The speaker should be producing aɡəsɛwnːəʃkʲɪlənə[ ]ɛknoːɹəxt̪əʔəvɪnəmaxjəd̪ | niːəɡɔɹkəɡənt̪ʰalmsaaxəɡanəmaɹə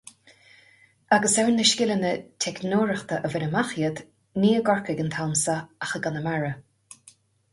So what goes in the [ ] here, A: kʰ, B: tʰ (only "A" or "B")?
B